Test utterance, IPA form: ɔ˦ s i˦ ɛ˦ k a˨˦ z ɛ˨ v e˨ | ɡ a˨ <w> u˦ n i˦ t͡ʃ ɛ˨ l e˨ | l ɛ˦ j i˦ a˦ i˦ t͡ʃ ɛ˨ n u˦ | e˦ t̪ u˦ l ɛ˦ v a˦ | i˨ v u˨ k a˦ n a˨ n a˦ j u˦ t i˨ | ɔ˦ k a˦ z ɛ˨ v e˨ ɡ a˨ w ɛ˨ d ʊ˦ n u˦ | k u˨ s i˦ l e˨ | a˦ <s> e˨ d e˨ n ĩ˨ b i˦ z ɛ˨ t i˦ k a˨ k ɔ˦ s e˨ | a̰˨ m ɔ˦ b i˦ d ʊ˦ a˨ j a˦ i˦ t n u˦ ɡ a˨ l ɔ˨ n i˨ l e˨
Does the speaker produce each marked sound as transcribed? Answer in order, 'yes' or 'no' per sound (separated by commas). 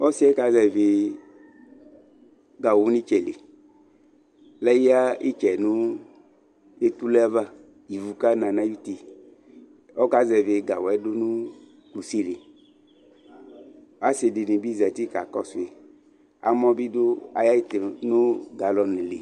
yes, yes